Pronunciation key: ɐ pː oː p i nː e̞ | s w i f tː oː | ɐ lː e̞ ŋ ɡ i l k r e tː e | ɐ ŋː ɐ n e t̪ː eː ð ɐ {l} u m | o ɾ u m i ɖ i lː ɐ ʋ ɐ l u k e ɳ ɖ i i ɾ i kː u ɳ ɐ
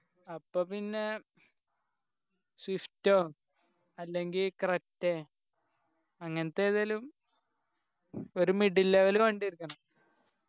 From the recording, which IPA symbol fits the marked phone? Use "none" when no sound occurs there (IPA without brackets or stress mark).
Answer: l